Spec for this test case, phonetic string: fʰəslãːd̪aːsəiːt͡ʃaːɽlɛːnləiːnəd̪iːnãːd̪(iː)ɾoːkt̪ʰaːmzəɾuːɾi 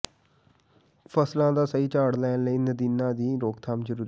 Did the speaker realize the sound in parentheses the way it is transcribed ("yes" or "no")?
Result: yes